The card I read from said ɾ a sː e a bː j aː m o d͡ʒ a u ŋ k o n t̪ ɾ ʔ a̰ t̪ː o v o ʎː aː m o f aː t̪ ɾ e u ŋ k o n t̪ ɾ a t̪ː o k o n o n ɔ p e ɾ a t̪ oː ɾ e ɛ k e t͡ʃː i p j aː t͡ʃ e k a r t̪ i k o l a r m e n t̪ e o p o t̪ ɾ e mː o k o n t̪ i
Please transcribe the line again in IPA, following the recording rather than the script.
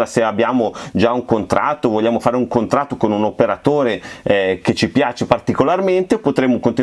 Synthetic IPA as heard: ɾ a s e a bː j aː m o d͡ʒ a u ŋ k o n t̪ ɾ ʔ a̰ t̪ː o v o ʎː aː m o f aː ɾ e u ŋ k o n t̪ ɾ a t̪ː o k o n u n o p e ɾ a t̪ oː ɾ e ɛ k e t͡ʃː i p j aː t͡ʃ e p a r t̪ i k o l a r m e n t̪ e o p o t̪ ɾ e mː o k o n t̪ i